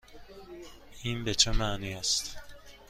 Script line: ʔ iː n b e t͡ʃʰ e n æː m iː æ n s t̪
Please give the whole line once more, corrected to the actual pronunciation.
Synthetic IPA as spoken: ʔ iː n b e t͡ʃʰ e m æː n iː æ s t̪